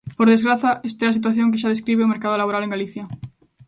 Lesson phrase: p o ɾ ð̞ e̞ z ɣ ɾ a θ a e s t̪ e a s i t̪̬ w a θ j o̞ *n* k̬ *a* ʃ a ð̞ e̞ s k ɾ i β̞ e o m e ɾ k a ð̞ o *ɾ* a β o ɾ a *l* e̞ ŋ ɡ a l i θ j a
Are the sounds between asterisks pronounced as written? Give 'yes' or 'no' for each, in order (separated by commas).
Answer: no, no, no, yes